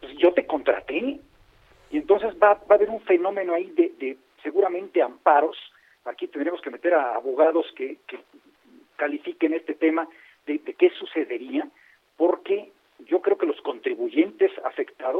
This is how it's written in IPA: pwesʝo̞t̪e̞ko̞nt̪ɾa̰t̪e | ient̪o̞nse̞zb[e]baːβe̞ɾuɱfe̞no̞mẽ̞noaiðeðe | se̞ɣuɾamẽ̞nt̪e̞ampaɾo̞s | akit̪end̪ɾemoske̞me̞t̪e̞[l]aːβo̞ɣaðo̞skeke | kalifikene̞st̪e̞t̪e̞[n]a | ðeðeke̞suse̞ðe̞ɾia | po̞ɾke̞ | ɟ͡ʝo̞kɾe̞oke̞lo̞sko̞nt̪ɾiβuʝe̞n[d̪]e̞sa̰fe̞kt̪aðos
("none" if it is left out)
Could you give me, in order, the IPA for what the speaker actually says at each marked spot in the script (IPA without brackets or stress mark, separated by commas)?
a, ɾ, m, t̪